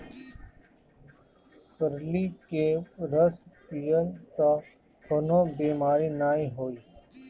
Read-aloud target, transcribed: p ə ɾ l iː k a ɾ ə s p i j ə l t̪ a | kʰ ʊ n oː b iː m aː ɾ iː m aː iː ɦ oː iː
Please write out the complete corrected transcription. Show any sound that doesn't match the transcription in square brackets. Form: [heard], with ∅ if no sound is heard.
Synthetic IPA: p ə ɾ l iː k [e] ɾ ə s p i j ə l t̪ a | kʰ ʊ n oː b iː m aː ɾ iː [n] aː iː ɦ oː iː